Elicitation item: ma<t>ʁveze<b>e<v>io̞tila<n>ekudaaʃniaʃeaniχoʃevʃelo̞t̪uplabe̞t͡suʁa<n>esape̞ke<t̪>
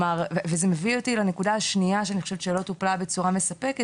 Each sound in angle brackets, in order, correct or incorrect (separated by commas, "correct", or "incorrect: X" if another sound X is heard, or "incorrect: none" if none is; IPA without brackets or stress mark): incorrect: none, incorrect: m, correct, correct, incorrect: m, incorrect: none